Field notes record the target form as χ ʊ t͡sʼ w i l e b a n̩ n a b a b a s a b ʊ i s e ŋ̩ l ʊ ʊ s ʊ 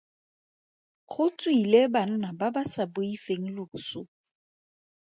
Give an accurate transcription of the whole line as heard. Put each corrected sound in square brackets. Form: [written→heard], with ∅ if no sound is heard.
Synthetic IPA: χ ʊ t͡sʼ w i l e b a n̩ n a b a b a s a b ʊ i [s→f] e ŋ̩ l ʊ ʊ s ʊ